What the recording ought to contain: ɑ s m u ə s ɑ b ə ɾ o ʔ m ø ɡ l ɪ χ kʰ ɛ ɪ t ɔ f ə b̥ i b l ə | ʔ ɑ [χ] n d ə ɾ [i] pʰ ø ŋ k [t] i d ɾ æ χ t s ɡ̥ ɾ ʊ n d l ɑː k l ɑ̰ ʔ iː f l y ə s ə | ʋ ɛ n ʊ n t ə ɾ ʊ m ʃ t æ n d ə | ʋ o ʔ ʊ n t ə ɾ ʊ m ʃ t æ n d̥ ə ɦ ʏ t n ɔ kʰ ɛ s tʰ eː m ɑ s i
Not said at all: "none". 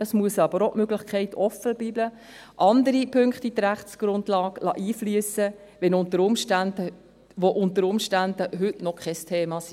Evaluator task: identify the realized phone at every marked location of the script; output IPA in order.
none, i, t

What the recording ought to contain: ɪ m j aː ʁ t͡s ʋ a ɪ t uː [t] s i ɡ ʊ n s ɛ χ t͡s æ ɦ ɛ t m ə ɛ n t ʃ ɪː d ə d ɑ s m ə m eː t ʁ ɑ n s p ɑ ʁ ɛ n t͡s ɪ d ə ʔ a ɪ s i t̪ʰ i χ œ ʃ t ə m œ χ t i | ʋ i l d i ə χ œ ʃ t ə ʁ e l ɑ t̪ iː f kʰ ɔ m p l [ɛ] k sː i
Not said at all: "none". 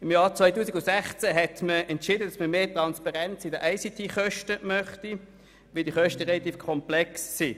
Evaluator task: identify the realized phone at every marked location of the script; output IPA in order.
none, ɛ

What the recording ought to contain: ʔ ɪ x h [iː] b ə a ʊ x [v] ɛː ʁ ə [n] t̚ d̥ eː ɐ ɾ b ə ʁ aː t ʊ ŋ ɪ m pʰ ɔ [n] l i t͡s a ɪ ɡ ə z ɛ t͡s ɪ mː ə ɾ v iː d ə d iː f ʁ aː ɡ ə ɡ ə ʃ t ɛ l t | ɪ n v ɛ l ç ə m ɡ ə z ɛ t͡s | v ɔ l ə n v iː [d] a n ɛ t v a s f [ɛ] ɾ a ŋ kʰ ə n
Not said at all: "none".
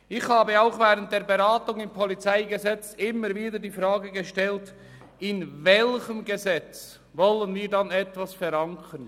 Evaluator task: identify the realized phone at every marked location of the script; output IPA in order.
aː, v, n, none, d, ɛ

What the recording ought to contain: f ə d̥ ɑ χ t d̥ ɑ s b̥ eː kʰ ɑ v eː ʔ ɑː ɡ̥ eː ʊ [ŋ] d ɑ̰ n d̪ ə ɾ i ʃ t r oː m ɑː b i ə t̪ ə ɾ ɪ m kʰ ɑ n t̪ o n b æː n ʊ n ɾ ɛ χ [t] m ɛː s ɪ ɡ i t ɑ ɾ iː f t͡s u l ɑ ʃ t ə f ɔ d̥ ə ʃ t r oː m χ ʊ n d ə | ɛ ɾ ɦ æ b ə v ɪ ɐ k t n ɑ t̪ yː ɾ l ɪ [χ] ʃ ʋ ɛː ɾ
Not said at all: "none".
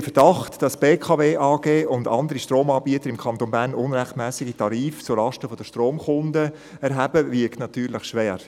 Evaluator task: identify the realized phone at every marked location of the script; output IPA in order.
n, t, χ

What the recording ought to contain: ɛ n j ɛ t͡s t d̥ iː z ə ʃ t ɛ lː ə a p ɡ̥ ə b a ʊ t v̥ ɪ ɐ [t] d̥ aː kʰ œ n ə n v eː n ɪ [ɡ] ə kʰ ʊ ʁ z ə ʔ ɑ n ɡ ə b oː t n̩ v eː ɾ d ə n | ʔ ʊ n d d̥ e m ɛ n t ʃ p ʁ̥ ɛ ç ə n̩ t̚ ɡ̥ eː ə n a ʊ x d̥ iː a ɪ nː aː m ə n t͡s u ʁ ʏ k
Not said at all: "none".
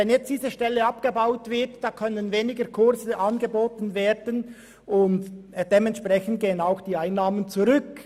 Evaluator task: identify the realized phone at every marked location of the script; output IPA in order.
t, ɡ

